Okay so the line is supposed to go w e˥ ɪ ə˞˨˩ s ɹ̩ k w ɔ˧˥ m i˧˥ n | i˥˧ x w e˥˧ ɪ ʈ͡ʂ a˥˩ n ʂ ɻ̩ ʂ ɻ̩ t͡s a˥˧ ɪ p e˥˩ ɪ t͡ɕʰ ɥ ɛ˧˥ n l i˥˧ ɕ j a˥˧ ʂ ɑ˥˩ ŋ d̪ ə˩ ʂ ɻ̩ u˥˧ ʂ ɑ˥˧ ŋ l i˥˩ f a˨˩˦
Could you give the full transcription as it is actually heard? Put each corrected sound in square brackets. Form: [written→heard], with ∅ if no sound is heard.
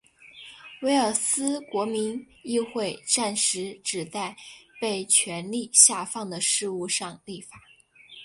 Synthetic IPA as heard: w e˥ ɪ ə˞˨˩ s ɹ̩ k w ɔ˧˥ m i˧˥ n | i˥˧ x w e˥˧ ɪ ʈ͡ʂ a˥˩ n ʂ ɻ̩ [ʂ→ʈ͡ʂ] ɻ̩ t͡s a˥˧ ɪ p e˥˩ ɪ t͡ɕʰ ɥ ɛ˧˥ n l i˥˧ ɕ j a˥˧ [ʂ→f] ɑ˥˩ ŋ d̪ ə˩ ʂ ɻ̩ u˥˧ ʂ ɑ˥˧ ŋ l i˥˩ f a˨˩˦